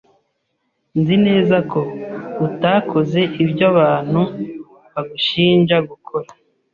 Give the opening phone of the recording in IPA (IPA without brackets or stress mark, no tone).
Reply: n